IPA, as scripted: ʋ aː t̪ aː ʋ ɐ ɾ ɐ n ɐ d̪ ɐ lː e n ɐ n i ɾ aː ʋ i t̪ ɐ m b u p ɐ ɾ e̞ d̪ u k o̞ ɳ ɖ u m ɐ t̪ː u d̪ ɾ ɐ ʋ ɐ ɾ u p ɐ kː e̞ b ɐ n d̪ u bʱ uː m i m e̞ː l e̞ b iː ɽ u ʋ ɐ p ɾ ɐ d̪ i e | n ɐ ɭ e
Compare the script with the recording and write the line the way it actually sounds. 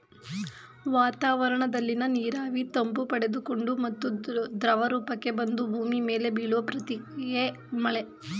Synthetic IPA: ʋ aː t̪ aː ʋ ɐ ɾ ɐ ɳ ɐ d̪ ɐ lː i n ɐ n iː ɾ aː ʋ i t̪ ɐ m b u p ɐ ɽ e̞ d̪ u k o̞ ɳ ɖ u m ɐ t̪ː u d̪ ɾ ɐ ʋ ɐ ɾ uː p ɐ kː e̞ b ɐ n d̪ u bʱ uː m i m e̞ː l e̞ b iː ɭ u ʋ ɐ p ɾ ɐ t̪ i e | m ɐ ɭ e